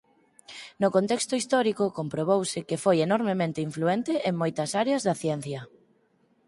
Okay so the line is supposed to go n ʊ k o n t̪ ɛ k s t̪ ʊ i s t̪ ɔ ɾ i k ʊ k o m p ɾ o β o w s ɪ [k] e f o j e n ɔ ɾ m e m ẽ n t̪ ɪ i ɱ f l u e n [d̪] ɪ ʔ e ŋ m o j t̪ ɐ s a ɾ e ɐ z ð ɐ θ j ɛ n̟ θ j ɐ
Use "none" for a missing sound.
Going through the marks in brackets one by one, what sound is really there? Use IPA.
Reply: k, t̪

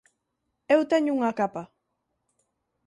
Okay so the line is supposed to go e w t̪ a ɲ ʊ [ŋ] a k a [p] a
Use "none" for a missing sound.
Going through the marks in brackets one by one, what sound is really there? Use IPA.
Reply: ŋ, p

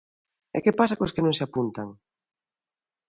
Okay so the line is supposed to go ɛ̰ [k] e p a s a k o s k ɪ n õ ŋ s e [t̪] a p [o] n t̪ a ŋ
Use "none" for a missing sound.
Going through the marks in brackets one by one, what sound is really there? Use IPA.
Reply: k, none, u

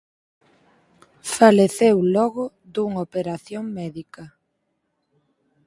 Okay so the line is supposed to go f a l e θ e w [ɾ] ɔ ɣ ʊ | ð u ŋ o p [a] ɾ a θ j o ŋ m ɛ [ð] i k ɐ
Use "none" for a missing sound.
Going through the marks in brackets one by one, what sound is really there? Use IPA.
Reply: l, e, ð

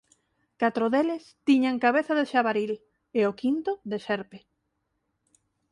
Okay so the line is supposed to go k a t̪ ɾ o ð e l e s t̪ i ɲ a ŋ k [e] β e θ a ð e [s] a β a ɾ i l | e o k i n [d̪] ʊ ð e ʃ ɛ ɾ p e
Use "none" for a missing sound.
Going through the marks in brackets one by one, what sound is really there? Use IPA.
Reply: a, ʃ, t̪

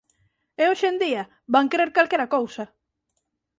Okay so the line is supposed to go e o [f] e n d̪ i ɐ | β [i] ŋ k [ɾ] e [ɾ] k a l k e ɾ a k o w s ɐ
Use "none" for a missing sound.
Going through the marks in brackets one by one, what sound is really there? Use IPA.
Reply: ʃ, a, ɾ, ɾ

